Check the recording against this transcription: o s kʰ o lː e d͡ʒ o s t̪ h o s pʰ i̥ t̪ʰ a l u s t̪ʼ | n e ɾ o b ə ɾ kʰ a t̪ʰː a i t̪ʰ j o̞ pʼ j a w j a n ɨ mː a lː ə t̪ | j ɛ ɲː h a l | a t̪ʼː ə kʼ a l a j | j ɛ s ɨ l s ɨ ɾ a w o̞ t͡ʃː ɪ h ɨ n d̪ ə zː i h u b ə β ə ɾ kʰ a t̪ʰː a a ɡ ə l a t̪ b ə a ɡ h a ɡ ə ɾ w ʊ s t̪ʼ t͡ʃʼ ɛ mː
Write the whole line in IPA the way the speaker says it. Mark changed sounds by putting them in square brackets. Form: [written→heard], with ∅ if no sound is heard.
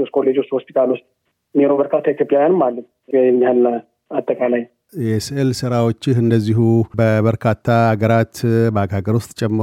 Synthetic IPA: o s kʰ o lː e d͡ʒ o s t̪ h o s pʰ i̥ t̪ʰ a l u s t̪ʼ | n e ɾ o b ə ɾ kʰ a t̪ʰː a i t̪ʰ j o̞ pʼ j a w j a n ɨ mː a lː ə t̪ | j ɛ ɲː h a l | a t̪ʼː ə kʼ a l a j | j ɛ s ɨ l s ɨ ɾ a w o̞ t͡ʃː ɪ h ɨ n d̪ ə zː i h u b ə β ə ɾ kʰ a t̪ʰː a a ɡ ə [l→ɾ] a t̪ b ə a ɡ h a ɡ ə ɾ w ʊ s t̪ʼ t͡ʃʼ ɛ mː